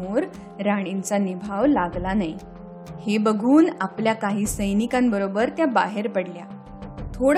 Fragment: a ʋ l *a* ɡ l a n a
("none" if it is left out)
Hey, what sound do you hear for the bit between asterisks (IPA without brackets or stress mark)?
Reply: a